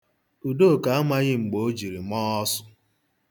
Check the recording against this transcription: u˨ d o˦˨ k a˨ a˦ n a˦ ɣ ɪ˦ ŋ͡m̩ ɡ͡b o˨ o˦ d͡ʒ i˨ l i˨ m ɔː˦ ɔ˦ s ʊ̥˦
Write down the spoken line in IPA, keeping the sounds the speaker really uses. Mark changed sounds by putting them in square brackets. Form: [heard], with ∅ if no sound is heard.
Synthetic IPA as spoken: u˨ d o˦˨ k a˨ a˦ [m] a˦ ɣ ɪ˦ ŋ͡m̩ ɡ͡b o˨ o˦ d͡ʒ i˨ [ɾ] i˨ m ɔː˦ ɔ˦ s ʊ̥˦